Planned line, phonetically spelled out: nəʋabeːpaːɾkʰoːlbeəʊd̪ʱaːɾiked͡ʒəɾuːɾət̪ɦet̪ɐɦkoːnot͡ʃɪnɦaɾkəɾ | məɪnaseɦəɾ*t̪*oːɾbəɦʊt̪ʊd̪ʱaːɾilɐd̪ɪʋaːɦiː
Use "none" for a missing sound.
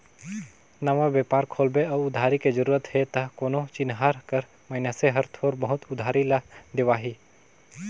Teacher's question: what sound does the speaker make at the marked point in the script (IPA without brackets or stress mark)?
t̪ʰ